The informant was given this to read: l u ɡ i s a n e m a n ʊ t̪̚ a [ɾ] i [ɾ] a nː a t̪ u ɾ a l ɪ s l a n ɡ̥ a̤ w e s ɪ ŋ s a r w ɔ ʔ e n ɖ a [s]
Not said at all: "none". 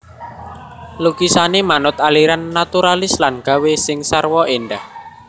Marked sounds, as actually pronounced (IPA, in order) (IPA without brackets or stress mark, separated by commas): l, ɾ, h